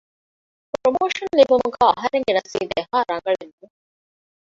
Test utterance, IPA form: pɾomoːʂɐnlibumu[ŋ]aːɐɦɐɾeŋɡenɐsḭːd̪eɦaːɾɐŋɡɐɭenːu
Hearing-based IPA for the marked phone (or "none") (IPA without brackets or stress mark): ɡ